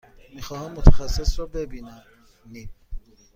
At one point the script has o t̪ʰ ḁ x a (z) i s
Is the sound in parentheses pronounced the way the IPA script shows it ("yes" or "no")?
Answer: no